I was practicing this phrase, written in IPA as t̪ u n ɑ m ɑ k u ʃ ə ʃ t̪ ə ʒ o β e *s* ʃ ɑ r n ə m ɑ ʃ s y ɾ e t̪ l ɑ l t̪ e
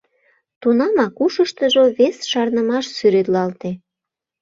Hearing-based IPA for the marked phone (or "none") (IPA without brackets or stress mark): s